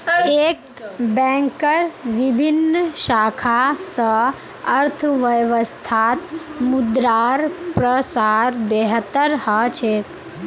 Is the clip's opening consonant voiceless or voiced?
voiceless